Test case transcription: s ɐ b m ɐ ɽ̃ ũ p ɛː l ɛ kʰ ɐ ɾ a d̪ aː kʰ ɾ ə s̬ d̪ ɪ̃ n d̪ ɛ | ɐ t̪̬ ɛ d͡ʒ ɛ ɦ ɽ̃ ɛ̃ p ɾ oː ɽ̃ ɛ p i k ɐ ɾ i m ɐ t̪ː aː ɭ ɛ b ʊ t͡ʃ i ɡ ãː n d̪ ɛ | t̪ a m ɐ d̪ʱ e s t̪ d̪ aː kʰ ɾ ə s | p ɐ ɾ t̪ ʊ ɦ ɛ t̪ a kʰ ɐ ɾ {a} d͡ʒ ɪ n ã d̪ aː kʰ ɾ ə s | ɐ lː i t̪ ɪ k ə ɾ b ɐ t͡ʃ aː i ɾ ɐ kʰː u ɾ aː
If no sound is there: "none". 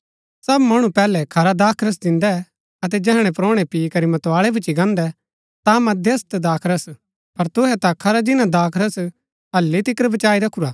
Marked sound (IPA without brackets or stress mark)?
a